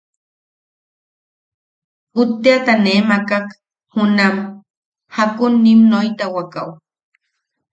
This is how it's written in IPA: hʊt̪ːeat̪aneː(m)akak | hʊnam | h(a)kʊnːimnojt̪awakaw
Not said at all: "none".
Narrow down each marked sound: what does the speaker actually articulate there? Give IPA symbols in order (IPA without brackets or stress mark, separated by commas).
m, a